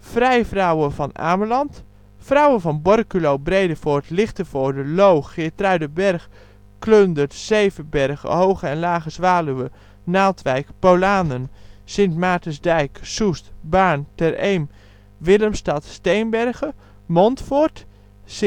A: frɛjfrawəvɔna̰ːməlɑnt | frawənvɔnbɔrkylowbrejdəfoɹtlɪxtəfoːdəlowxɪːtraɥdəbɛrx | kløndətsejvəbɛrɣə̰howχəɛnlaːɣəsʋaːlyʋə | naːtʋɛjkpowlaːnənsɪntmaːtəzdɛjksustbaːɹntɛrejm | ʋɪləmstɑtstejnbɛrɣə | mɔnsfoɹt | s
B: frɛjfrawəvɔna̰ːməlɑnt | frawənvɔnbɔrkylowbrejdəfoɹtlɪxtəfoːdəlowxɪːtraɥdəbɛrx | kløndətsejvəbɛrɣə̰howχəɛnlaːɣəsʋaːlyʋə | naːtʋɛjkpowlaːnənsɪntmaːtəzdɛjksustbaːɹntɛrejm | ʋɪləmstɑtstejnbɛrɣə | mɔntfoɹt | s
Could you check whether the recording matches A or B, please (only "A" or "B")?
B